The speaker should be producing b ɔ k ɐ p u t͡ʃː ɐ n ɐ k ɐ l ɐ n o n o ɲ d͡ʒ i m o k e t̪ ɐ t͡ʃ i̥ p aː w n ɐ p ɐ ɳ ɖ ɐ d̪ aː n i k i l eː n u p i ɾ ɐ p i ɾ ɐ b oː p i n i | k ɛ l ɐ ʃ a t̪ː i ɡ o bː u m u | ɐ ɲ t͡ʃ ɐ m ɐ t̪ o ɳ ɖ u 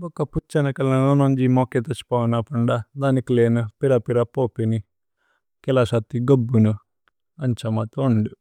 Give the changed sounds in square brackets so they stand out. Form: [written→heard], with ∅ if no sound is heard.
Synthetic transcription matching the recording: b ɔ k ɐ p u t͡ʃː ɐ n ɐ k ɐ l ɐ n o n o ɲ d͡ʒ i m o k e t̪ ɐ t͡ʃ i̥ p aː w n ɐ p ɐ ɳ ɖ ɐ d̪ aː n i k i l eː n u p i ɾ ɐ p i ɾ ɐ [b→p] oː p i n i | k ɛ l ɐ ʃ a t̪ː i ɡ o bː u [m→n] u | ɐ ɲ t͡ʃ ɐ m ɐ t̪ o ɳ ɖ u